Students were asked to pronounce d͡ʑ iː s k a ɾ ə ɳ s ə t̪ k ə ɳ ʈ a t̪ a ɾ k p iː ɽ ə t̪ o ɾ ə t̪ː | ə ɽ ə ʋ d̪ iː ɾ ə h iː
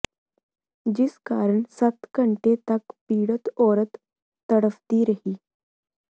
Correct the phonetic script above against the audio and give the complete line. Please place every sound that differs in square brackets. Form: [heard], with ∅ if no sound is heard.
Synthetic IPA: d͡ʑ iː s k a ɾ ə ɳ s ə t̪ k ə ɳ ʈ [e] t̪ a [∅] k p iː ɽ ə t̪ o ɾ ə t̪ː | ə ɽ ə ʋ [t̪] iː ɾ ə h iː